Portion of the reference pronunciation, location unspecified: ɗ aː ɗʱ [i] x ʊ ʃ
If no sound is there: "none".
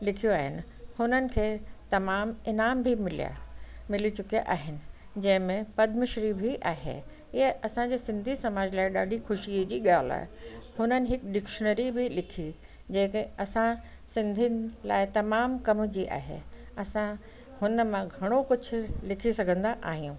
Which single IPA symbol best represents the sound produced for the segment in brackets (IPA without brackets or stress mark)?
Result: i